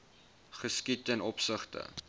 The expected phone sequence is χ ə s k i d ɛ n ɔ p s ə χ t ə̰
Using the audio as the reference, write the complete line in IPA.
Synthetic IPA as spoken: χ ə s k i t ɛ n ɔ p s ə χ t ə̰